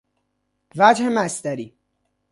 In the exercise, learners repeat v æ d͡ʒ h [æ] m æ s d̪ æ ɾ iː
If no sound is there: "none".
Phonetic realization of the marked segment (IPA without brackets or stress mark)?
e